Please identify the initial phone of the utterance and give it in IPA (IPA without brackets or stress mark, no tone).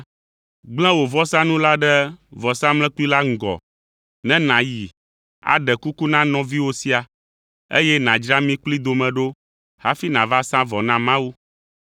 ɡ͡b